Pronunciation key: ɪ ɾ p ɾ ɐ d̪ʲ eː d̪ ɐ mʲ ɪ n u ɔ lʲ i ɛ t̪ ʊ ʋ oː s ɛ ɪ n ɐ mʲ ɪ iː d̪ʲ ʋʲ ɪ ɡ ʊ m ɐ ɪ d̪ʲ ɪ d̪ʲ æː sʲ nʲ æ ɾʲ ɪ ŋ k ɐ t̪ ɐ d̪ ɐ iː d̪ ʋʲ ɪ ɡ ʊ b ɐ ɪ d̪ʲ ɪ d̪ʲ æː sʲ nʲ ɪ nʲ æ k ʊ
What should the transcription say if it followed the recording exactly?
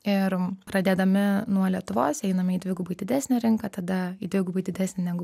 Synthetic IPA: ɪ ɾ p ɾ ɐ d̪ʲ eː d̪ ɐ mʲ ɪ n u ɔ lʲ i ɛ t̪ ʊ ʋ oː s ɛ ɪ n ɐ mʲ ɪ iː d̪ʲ ʋʲ ɪ ɡ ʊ b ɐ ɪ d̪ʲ ɪ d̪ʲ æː sʲ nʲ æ ɾʲ ɪ ŋ k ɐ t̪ ɐ d̪ ɐ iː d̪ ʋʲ ɪ ɡ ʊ b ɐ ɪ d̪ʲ ɪ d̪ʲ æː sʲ nʲ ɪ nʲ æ ɡ ʊ